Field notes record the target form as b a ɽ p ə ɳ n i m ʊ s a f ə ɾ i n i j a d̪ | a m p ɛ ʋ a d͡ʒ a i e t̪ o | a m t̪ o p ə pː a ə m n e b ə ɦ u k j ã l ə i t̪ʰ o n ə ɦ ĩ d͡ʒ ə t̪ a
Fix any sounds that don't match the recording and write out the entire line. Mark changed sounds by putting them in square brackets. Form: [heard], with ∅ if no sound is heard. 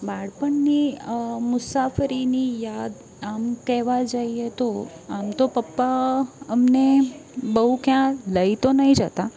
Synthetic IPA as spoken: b a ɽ p ə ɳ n i m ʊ s a f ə ɾ i n i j a d̪ | a m [k] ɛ ʋ a d͡ʒ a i e t̪ o | a m t̪ o p ə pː a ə m n e b ə ɦ u k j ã l ə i [t̪] o n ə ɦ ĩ d͡ʒ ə t̪ a